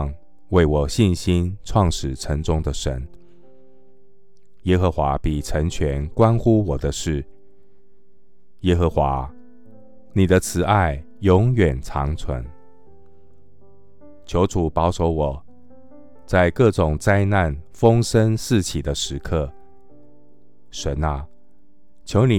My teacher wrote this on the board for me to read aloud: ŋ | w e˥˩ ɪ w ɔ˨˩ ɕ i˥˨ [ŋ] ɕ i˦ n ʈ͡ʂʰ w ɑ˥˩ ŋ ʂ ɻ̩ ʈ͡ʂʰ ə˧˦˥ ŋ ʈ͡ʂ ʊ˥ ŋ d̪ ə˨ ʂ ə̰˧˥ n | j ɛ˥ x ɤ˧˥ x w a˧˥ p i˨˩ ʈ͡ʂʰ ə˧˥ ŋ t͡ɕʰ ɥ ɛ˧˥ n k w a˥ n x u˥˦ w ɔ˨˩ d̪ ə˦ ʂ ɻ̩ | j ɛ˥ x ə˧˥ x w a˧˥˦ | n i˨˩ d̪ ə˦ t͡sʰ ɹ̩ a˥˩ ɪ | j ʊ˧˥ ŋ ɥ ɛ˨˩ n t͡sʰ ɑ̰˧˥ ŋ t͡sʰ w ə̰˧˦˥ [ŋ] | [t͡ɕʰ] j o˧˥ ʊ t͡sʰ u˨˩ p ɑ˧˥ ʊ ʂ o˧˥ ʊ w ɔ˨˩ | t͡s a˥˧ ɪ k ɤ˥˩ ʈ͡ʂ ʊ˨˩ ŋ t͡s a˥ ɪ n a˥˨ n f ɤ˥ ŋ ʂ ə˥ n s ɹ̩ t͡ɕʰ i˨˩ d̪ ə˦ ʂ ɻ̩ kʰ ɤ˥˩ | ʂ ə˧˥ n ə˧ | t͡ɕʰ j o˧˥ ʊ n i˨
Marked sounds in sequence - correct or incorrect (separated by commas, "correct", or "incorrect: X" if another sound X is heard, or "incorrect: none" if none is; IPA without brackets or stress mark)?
incorrect: n, incorrect: n, correct